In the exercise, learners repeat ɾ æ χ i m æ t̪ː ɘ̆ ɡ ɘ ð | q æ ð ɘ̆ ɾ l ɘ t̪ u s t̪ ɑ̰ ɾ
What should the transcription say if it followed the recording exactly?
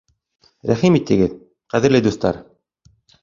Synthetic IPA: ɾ æ χ i m i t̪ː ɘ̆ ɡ ɘ ð | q æ ð ɘ̆ ɾ l ɘ d̪ u s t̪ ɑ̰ ɾ

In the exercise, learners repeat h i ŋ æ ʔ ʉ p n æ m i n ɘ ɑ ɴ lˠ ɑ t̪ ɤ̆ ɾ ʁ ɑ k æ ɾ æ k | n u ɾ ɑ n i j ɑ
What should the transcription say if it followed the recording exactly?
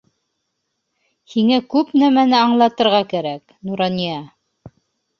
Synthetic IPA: h i ŋ æ k ʉ p n æ m æ n ɘ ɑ ɴ lˠ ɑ t̪ ɤ̆ ɾ ʁ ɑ k æ ɾ æ k | n u ɾ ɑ n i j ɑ

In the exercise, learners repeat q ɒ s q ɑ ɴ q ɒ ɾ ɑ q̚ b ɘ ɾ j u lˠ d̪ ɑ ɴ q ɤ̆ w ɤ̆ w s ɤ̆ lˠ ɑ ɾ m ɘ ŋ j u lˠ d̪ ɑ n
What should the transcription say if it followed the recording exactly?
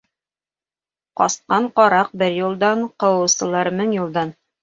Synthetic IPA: q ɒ s q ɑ ɴ q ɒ ɾ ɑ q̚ b ɘ ɾ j u lˠ d̪ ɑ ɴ q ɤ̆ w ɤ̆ w s ɤ̆ lˠ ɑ ɾ m ɘ ŋ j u lˠ d̪ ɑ n

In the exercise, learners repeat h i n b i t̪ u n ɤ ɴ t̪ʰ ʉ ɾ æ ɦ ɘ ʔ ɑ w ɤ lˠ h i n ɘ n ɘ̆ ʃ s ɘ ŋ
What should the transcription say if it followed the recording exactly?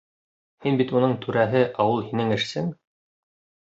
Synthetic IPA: h i n b i t̪ u n ɤ ɴ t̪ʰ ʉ ɾ æ ɦ ɘ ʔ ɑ w ɤ lˠ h i n ɘ ŋ ɘ̆ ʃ s ɘ ŋ

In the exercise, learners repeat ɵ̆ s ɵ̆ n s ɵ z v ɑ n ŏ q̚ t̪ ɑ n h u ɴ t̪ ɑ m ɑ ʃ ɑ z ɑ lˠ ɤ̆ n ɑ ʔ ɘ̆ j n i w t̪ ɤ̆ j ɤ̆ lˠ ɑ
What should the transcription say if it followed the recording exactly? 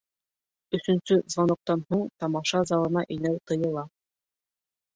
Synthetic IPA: ɵ̆ s ɵ̆ n s ɵ z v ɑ n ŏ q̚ t̪ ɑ n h u ɴ t̪ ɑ m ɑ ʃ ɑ z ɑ lˠ ɤ̆ n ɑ ʔ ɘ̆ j n æ w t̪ ɤ̆ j ɤ̆ lˠ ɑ

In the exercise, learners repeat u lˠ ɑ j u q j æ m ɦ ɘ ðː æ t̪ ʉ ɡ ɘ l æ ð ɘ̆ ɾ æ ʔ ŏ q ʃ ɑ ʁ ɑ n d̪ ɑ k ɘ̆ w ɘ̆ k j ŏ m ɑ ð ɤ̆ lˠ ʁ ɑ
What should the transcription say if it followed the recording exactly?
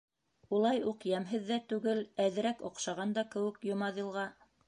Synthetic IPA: u lˠ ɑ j u q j æ m ɦ ɘ ðː æ t̪ ʉ ɡ ɘ l æ ð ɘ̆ ɾ æ k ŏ q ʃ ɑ ʁ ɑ n d̪ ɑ k ɘ̆ w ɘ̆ k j ŏ m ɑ ð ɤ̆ lˠ ʁ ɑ

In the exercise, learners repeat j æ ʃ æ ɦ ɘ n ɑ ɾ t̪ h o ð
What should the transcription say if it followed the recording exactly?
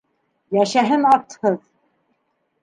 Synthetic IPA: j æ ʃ æ ɦ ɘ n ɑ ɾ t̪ h ɤ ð

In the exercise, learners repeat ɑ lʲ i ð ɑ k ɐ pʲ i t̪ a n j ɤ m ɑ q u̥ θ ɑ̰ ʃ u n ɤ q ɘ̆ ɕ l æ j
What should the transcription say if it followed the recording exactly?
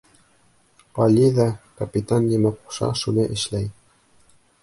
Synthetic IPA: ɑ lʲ i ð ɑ k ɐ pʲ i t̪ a n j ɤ m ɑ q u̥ ʃ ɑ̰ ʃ u n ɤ ʔ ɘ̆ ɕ l æ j

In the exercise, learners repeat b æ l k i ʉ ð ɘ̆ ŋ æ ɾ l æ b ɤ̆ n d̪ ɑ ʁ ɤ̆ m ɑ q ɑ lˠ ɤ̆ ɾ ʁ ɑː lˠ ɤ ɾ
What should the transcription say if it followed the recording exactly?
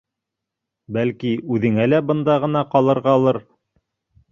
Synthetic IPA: b æ l k i ʉ ð ɘ̆ ŋ æ l æ b ɤ̆ n d̪ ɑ ʁ ɤ̆ n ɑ q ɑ lˠ ɤ̆ ɾ ʁ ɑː lˠ ɤ ɾ

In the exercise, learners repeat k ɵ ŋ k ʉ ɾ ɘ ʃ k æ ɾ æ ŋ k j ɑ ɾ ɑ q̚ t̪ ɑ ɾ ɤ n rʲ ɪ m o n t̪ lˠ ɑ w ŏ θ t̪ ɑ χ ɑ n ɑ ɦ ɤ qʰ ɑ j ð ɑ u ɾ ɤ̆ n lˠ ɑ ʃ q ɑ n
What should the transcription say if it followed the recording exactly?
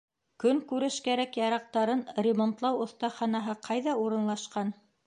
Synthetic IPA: k ɵ ŋ k ʉ ɾ ɘ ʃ k æ ɾ æ k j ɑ ɾ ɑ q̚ t̪ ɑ ɾ ɤ n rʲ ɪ m o n t̪ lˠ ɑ w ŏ θ t̪ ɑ χ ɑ n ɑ ɦ ɤ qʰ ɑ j ð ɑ u ɾ ɤ̆ n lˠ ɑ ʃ q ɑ n

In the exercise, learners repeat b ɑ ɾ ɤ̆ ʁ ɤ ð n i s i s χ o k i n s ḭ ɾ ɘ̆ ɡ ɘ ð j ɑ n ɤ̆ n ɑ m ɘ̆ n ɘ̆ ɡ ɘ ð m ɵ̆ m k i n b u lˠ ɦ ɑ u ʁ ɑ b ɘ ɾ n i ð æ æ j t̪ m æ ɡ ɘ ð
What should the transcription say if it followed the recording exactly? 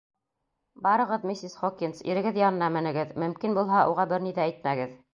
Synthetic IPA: b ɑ ɾ ɤ̆ ʁ ɤ ð m i s i s χ o k i n s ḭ ɾ ɘ̆ ɡ ɘ ð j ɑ n ɤ̆ n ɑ m ɘ̆ n ɘ̆ ɡ ɘ ð m ɵ̆ m k i n b u lˠ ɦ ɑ u ʁ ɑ b ɘ ɾ n i ð æ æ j t̪ m æ ɡ ɘ ð

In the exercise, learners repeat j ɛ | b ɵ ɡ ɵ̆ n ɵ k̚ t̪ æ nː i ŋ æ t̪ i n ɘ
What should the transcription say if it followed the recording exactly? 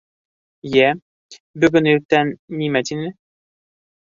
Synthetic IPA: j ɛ | b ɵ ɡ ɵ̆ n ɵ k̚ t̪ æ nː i m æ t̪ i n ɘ

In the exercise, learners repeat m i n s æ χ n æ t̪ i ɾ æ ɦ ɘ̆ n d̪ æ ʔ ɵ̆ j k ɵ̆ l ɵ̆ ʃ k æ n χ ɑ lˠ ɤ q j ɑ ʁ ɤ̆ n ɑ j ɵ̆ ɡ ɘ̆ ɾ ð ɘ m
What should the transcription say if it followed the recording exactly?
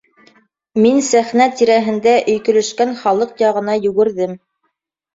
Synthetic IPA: m i n s æ χ n æ t̪ i ɾ æ ɦ ɘ̆ n d̪ æ ʔ ɵ̆ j k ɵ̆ l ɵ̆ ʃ k æ n χ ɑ lˠ ɤ q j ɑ ʁ ɤ̆ n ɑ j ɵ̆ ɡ ɘ̆ ɾ ð ɘ m

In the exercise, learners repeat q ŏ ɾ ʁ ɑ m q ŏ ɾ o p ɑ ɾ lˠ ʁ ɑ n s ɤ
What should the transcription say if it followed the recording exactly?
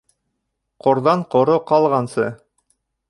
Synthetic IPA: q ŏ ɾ ð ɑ ɴ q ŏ ɾ o q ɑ lˠ ʁ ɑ n s ɤ

